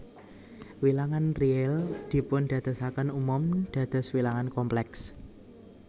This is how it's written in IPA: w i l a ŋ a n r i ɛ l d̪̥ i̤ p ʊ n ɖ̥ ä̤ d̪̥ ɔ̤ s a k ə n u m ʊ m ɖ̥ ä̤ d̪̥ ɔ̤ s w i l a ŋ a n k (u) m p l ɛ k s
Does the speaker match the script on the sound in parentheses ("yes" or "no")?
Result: no